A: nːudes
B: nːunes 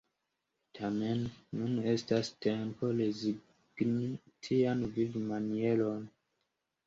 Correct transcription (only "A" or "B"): B